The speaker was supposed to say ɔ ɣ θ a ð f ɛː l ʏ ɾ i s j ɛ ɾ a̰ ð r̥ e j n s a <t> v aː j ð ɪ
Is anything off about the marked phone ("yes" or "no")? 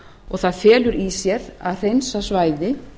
yes